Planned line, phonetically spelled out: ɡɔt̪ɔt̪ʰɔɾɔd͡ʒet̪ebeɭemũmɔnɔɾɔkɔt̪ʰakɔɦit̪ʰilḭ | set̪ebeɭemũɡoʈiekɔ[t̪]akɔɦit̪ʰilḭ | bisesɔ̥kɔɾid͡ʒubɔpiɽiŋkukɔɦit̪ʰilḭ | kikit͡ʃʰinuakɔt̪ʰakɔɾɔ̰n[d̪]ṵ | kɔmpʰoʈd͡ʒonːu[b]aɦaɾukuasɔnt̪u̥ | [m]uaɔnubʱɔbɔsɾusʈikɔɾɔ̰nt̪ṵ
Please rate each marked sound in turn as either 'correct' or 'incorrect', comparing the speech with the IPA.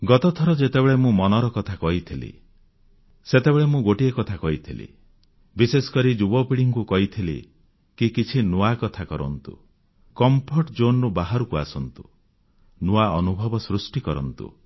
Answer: incorrect, incorrect, correct, incorrect

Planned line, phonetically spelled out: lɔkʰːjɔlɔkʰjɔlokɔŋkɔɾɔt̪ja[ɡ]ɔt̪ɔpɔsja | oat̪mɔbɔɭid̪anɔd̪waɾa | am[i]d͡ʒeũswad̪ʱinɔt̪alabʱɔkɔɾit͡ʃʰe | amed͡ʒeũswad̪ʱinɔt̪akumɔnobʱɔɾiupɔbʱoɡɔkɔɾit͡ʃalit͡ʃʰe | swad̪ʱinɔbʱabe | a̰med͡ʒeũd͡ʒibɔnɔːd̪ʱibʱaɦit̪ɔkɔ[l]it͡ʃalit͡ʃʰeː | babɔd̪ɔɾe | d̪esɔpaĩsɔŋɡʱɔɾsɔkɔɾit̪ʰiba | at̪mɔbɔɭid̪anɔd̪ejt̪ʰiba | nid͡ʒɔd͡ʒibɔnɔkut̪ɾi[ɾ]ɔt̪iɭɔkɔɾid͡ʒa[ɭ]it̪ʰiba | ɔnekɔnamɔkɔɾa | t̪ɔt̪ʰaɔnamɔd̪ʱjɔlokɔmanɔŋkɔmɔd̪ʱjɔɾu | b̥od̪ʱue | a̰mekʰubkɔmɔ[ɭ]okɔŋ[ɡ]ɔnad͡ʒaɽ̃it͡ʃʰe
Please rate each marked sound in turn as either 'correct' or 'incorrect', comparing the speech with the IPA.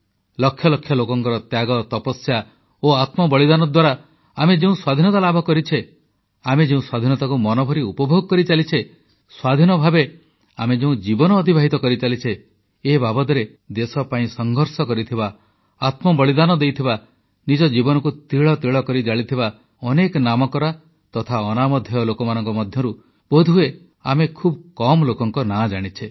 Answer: correct, incorrect, incorrect, incorrect, correct, incorrect, incorrect

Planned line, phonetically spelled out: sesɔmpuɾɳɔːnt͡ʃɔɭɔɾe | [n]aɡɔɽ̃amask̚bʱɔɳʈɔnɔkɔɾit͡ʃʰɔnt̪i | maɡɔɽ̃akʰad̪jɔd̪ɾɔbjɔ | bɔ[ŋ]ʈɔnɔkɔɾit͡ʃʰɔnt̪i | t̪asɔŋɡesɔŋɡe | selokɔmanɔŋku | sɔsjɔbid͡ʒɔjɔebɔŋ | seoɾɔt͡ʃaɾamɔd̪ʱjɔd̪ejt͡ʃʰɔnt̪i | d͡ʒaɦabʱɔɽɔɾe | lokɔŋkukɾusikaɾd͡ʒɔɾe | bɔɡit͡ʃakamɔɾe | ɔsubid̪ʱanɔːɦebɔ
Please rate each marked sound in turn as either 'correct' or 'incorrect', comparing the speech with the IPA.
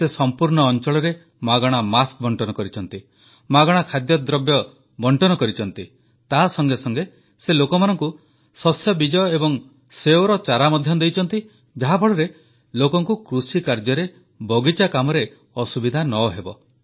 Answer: incorrect, incorrect

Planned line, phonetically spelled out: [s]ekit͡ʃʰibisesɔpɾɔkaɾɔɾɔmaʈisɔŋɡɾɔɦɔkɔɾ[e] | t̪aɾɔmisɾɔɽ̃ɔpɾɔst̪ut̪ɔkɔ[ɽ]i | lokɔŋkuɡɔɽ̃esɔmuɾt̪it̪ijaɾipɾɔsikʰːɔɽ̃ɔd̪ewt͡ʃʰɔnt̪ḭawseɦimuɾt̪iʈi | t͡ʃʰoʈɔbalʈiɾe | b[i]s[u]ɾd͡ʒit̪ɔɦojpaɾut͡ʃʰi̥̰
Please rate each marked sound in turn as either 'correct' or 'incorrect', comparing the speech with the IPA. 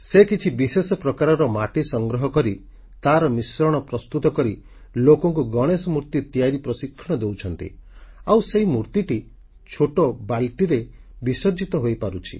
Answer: correct, incorrect, incorrect, correct, incorrect

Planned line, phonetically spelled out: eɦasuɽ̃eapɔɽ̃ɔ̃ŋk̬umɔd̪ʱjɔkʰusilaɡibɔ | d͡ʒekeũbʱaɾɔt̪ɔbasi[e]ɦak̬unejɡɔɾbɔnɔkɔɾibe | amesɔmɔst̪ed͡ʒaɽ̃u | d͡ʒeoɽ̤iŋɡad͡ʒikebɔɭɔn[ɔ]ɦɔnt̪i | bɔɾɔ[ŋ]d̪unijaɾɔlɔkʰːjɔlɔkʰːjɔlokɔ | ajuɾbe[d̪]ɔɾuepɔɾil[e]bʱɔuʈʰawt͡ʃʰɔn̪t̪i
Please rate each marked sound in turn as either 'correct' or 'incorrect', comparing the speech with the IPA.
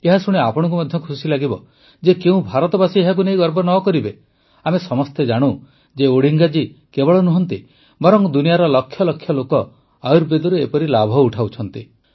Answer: correct, incorrect, correct, correct, incorrect

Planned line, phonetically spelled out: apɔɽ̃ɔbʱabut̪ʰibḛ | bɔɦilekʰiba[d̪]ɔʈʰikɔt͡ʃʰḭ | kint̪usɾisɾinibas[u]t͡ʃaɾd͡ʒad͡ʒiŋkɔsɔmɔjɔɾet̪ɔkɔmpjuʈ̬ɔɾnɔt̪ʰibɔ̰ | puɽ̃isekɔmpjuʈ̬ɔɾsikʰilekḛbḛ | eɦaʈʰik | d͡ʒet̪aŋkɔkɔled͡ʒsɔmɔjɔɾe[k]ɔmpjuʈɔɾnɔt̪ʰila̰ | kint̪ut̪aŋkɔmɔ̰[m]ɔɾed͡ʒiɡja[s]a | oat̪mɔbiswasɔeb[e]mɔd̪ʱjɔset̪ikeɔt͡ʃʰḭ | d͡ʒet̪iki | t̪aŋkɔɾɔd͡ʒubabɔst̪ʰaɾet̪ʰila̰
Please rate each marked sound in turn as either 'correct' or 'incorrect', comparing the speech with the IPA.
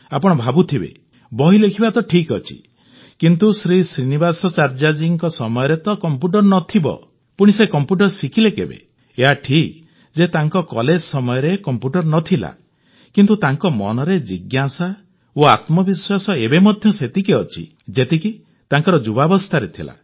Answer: incorrect, incorrect, correct, incorrect, correct, correct

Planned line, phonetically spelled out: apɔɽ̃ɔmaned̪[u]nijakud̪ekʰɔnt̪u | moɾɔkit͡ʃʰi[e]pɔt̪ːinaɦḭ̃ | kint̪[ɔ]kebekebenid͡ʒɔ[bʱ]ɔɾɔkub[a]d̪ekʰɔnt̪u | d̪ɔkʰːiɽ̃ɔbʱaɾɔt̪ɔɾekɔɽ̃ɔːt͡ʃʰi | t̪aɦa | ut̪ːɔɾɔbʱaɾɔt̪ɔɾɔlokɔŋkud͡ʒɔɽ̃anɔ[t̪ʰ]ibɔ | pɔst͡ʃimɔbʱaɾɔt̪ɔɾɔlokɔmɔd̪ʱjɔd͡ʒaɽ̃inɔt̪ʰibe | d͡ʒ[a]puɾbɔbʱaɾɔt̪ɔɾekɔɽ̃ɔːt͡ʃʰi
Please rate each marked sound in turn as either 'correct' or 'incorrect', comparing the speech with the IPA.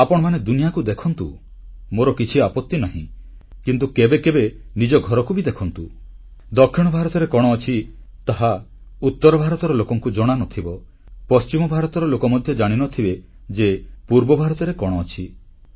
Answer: correct, incorrect, incorrect, incorrect, incorrect, correct, incorrect

